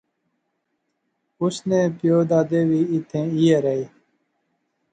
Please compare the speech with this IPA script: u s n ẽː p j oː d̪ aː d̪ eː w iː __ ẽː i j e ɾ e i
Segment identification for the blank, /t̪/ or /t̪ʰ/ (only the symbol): t̪ʰ